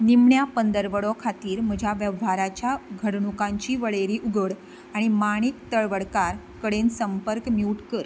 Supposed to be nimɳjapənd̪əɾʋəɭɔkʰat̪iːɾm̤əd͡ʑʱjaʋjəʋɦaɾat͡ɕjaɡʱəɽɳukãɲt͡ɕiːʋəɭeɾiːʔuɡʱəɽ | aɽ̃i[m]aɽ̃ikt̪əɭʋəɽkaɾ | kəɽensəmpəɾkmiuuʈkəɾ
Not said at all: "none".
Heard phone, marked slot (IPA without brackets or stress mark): m